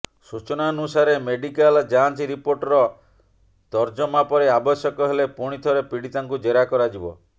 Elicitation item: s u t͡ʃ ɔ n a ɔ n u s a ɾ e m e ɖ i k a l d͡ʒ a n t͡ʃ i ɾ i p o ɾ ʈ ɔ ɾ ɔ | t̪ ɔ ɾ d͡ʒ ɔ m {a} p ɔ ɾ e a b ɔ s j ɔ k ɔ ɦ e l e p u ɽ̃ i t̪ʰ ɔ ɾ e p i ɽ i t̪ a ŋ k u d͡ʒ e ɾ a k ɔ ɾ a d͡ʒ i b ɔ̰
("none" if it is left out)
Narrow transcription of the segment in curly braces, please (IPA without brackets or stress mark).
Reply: a